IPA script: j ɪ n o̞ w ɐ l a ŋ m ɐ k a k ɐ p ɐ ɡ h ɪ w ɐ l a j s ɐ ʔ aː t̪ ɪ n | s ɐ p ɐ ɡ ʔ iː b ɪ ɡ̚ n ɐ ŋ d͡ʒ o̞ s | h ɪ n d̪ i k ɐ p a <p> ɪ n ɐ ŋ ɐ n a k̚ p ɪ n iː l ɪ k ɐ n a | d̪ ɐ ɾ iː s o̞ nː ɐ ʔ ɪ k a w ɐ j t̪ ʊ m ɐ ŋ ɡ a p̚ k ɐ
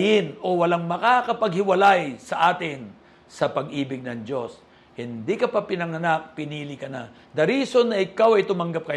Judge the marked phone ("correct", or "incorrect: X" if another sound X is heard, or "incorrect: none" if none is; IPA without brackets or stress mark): correct